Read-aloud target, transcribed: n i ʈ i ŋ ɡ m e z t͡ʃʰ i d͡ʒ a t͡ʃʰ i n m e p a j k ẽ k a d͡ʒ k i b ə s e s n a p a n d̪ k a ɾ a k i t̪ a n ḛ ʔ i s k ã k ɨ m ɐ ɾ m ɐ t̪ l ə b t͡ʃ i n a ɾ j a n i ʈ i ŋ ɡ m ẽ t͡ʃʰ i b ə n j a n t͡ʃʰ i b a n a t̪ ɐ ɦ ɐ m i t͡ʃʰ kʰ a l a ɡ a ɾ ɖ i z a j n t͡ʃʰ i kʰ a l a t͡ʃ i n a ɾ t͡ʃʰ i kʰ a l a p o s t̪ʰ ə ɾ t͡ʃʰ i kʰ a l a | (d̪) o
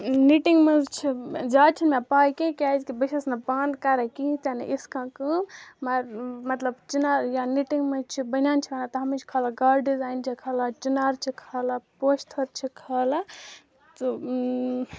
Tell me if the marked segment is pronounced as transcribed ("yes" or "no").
no